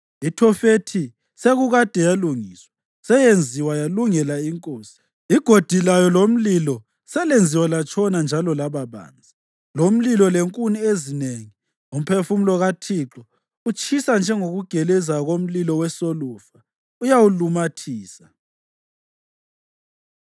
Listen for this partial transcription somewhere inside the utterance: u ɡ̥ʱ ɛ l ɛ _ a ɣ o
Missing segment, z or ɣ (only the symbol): z